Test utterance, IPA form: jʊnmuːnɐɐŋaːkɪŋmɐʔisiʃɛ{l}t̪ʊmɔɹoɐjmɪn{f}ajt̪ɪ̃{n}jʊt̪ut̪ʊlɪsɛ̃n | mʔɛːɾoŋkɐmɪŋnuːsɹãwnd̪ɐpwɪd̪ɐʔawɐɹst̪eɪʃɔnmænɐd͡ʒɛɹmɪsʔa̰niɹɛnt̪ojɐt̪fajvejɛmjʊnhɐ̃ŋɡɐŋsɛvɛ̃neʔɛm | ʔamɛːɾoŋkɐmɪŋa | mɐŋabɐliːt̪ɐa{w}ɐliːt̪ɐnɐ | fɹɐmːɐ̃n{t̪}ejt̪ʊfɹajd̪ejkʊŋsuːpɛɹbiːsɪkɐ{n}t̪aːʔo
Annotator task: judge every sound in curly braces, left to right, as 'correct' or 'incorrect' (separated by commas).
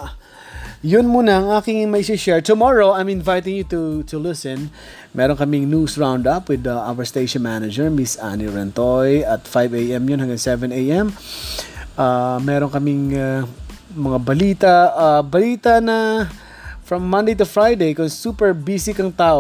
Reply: incorrect, incorrect, incorrect, incorrect, incorrect, incorrect